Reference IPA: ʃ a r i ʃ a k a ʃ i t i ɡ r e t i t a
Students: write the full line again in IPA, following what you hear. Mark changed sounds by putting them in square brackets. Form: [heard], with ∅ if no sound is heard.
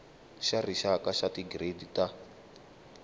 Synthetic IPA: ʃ a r i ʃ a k a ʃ [a] t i ɡ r e [d] i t a

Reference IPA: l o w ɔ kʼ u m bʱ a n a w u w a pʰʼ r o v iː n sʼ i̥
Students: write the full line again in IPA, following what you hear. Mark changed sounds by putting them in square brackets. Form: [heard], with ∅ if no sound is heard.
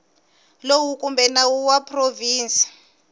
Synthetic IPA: l o w [u] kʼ u m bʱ [ɛ] n a w u w a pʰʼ r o v iː n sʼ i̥

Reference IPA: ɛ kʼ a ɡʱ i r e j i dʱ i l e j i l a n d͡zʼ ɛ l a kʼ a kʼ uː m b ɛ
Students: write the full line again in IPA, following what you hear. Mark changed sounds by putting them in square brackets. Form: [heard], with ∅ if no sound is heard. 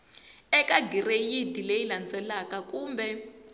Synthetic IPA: ɛ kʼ a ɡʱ i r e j i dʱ i l e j i l a n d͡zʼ ɛ l a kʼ a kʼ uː m b ɛ

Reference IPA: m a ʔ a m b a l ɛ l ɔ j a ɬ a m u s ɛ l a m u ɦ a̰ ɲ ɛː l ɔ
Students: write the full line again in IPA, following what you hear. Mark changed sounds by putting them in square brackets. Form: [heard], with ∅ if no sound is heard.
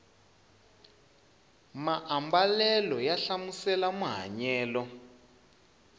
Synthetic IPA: m a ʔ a m b a l ɛ l ɔ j a ɬ a m u s ɛ l a m u ɦ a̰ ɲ ɛː l ɔ

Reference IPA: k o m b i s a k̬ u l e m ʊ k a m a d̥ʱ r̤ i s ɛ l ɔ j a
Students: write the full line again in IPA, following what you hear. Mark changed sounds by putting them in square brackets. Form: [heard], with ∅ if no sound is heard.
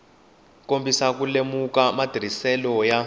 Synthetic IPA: k o m b i s a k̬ u l e m [u] k a m a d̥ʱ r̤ i s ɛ l ɔ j a

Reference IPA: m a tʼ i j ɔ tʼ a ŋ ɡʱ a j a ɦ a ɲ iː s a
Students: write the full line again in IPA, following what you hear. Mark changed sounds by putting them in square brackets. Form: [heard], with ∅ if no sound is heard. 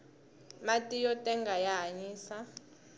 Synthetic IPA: m a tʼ i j ɔ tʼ [ɛ] ŋ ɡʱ a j a ɦ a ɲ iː s a

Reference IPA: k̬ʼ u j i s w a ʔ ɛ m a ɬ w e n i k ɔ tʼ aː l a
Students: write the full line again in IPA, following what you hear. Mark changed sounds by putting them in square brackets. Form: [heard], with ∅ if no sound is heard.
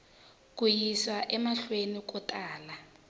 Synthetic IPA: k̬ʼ u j i s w a ʔ ɛ m a ɬ w e n i k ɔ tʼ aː l a

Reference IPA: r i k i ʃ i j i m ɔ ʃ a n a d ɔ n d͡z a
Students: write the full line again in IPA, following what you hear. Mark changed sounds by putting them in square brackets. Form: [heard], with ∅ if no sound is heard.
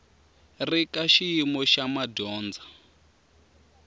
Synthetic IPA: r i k [a] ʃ i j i m ɔ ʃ a [m] a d [ɔː] n d͡z a

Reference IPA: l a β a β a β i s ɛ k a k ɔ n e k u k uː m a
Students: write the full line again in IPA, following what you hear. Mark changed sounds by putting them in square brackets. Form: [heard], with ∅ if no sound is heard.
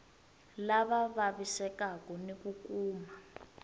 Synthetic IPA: l a β a β a β i s ɛ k a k ɔ n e k u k uː m a

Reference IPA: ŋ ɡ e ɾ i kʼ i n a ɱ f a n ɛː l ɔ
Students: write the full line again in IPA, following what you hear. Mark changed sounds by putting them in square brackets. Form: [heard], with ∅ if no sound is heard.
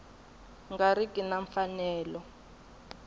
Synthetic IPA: ŋ ɡ [a] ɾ i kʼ i n a ɱ f a n ɛː l ɔ

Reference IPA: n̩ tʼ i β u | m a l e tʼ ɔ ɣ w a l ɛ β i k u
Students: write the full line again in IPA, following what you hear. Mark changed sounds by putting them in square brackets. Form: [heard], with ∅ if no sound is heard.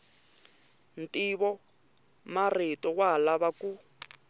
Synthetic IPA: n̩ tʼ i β [ɔ] | m a [r] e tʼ ɔ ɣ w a l [a] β [a] k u

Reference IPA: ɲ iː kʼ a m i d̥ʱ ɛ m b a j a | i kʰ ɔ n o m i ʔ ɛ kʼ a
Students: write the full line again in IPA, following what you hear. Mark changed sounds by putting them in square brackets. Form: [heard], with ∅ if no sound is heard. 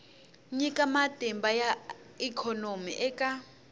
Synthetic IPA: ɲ [i] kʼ a m [a] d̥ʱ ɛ m b a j a | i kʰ ɔ n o m i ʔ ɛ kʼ a

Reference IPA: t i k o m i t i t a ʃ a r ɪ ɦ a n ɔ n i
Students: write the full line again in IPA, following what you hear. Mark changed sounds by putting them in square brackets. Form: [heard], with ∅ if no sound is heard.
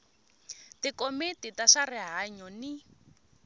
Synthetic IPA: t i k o m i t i t a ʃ a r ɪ ɦ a [ɲ] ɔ n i

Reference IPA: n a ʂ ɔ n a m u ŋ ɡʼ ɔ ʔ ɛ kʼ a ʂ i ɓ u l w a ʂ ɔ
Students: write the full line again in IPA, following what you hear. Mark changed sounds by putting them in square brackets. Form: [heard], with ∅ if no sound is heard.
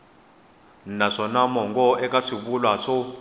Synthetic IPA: n a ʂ ɔ n a m [ɔ] ŋ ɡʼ ɔ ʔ ɛ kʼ a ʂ i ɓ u l w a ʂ ɔ

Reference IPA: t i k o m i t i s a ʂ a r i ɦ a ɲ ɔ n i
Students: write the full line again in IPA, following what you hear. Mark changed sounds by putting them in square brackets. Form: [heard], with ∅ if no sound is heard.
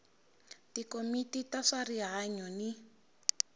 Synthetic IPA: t i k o m i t i [t] a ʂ a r i ɦ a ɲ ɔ n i

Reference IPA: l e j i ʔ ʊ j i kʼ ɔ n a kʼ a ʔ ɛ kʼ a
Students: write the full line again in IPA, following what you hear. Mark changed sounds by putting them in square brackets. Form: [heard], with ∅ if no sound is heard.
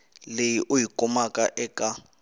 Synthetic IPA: l e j i ʔ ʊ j i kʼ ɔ [m] a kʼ a ʔ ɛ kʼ a

